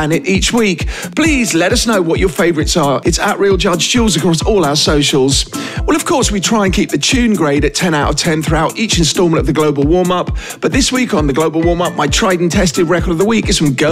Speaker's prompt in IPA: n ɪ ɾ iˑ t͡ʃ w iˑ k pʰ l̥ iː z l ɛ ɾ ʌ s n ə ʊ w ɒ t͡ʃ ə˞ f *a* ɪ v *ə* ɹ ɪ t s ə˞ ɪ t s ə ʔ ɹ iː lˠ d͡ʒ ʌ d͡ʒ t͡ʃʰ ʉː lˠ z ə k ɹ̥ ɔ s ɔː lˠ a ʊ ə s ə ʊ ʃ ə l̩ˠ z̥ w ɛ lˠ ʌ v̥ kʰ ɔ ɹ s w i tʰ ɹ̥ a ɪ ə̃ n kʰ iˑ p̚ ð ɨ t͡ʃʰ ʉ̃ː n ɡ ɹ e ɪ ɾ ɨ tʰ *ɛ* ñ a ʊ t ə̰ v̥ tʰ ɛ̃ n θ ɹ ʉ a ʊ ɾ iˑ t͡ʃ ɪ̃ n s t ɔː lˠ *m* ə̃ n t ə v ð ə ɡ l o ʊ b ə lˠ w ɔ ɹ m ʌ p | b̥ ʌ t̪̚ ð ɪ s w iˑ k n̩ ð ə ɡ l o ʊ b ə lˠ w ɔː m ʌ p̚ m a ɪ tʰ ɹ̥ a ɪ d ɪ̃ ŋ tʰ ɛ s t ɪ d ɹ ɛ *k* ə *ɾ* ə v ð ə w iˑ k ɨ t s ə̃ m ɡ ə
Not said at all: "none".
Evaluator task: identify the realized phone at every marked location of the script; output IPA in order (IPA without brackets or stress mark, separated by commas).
e, ə, ɛ̃, m, k, ɾ